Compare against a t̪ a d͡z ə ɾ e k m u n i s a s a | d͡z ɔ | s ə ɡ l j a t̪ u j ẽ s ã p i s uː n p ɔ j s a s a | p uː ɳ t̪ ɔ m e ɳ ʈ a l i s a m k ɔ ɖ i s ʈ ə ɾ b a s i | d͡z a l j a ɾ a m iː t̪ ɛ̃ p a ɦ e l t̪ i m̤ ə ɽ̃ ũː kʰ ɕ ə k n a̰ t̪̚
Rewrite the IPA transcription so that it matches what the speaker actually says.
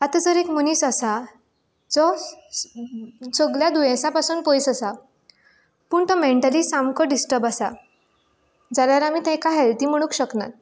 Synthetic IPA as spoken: a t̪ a d͡z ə ɾ e k m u n i s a s a | d͡z ɔ | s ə ɡ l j a d̪ u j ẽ s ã p a s uː n p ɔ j s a s a | p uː ɳ t̪ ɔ m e ɳ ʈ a l i s a m k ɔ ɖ i s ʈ ə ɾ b a s a | d͡z a l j a ɾ a m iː t̪ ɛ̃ k a ɦ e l t̪ i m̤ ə ɽ̃ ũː k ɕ ə k n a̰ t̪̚